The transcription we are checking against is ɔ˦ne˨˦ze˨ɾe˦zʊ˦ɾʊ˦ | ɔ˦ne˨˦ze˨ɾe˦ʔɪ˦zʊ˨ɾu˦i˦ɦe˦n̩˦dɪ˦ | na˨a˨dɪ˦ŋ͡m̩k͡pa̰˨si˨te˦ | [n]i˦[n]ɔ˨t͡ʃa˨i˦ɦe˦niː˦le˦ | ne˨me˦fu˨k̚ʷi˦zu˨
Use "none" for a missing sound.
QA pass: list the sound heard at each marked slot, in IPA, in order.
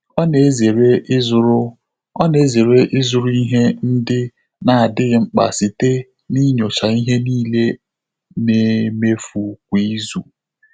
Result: n, ɲ

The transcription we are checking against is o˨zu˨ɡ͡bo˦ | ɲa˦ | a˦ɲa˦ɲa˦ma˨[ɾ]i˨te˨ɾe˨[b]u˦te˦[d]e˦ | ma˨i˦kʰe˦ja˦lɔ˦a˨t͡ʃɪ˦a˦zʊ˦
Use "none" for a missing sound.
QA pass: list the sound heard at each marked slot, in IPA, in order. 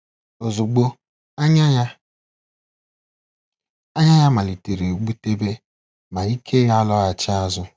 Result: l, ɡ͡b, b

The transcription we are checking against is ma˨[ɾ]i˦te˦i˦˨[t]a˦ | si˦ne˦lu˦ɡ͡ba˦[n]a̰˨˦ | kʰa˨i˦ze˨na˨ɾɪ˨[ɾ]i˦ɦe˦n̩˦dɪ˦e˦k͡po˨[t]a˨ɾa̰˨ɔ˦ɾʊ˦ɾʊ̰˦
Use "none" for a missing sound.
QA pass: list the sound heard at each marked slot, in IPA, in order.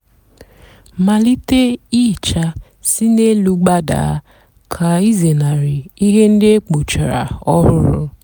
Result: l, t͡ʃ, d, none, t͡ʃ

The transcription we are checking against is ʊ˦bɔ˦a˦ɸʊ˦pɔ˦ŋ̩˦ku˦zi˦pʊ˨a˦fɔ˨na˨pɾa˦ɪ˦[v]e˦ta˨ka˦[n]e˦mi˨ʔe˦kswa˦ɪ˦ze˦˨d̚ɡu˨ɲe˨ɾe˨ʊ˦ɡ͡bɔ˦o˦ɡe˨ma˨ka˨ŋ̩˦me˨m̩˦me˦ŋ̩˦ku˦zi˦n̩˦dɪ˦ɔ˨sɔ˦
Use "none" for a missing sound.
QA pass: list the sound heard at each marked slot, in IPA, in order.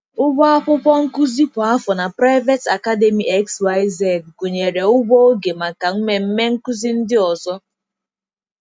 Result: v, d

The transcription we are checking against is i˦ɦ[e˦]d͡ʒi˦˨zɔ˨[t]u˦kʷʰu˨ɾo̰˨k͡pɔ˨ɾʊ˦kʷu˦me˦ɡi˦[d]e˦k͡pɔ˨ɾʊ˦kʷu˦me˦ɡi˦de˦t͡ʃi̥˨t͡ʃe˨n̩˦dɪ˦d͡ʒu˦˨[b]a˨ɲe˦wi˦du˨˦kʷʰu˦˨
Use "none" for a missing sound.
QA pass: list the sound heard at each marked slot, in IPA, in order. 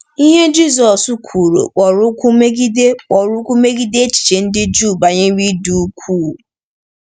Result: e˦, s, d, b

